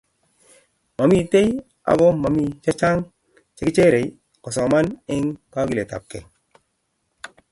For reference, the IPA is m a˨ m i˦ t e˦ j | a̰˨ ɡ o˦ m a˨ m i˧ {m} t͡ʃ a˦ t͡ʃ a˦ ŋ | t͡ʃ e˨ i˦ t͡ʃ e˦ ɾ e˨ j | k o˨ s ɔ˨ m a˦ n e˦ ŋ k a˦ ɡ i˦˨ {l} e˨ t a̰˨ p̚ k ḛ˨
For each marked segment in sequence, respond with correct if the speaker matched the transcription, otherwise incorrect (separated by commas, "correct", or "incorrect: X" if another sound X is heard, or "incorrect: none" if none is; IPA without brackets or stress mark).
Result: incorrect: none, correct